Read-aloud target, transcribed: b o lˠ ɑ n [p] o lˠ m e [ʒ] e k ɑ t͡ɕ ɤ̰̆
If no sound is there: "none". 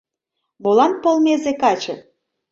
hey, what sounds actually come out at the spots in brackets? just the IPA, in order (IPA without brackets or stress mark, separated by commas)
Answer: p, z